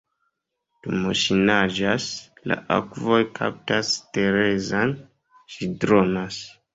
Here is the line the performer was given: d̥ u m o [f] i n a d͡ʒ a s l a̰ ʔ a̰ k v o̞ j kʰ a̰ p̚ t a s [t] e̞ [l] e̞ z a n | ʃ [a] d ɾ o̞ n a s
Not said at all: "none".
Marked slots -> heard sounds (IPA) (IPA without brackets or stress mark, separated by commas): ʃ, t, ɾ, i